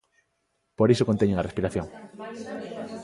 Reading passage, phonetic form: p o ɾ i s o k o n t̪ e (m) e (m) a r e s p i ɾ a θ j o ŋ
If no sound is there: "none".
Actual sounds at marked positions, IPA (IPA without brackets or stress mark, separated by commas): ɲ, ŋ